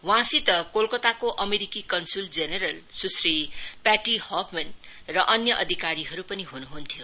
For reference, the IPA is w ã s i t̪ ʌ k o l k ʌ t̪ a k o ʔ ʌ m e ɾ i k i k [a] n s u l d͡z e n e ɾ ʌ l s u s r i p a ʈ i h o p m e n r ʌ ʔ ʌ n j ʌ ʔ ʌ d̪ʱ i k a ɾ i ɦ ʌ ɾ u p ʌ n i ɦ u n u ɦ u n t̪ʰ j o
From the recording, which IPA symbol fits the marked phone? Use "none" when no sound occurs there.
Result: ʌ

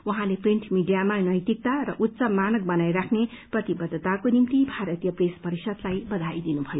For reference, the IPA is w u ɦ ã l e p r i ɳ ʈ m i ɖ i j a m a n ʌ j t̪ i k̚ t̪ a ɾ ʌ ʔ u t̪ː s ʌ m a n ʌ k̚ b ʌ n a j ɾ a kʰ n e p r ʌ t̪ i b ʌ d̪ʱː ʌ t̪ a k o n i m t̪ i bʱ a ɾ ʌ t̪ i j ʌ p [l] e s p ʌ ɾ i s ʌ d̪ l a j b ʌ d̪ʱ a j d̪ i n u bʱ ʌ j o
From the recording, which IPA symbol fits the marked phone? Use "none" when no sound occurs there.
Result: r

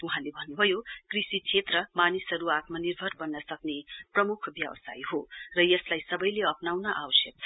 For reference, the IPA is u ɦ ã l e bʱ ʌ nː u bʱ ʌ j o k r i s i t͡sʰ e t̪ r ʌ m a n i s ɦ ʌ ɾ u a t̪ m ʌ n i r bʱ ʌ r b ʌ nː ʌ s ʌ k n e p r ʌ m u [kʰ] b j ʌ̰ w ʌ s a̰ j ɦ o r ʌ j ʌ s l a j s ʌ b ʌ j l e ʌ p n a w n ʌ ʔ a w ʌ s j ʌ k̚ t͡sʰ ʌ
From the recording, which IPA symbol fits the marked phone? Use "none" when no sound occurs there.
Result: kʰ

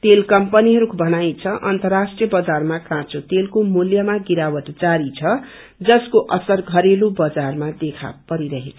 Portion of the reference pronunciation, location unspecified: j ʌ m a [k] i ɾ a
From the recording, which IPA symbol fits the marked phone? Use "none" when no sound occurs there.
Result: ɡ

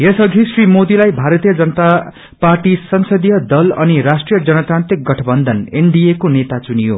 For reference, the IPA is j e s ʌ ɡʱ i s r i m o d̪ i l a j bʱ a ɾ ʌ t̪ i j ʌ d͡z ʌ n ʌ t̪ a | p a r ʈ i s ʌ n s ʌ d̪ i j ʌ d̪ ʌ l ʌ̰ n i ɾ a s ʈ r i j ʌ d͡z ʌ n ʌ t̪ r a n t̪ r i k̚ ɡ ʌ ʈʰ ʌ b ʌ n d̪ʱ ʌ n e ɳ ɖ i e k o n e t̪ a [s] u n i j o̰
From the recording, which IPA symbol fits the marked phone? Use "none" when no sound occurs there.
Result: t͡s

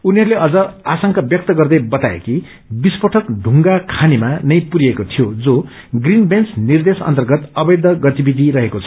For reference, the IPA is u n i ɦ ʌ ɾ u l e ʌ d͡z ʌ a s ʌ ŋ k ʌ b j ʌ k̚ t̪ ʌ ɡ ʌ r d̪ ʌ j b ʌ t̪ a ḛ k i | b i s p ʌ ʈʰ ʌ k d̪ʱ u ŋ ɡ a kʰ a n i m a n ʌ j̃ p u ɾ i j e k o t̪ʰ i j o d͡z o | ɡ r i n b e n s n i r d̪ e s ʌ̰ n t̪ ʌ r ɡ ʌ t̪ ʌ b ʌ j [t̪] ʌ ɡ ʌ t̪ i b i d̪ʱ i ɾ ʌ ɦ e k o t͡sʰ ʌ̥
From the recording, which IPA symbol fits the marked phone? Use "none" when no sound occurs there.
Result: d̪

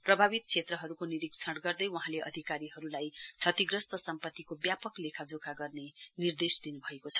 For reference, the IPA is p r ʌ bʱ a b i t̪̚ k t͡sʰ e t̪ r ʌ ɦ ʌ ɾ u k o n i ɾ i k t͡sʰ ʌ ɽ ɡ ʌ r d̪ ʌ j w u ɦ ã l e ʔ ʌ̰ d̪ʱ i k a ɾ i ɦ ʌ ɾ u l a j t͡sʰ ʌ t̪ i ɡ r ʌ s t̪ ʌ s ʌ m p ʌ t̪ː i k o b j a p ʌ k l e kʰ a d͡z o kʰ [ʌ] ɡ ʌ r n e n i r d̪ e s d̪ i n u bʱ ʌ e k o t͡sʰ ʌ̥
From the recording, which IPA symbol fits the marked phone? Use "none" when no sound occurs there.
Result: a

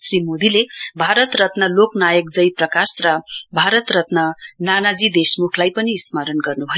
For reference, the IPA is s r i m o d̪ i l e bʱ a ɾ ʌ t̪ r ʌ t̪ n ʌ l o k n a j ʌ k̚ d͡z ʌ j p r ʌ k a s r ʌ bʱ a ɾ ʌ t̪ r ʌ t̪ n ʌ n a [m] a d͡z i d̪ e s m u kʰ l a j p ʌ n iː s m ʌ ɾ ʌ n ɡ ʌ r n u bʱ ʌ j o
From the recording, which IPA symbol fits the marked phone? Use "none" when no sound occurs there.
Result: n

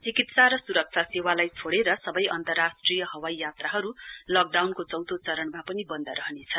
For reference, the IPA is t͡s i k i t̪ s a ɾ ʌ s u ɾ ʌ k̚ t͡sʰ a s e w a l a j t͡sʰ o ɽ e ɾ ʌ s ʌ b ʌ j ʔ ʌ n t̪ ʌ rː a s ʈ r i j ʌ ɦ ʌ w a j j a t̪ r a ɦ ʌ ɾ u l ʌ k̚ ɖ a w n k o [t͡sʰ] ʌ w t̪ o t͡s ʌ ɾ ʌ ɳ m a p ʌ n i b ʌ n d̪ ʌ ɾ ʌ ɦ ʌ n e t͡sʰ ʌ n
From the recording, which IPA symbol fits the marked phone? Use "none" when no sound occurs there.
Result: t͡s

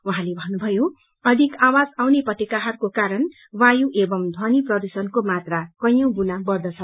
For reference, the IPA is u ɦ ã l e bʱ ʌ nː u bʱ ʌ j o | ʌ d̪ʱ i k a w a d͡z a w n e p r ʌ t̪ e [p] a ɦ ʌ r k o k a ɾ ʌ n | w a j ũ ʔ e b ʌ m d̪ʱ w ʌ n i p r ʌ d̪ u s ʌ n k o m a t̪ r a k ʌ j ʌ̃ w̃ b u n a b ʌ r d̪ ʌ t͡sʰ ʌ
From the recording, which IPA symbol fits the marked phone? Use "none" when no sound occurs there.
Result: k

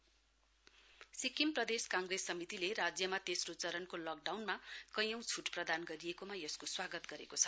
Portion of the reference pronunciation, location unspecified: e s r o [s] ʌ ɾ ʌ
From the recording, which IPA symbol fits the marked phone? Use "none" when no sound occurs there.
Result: t͡s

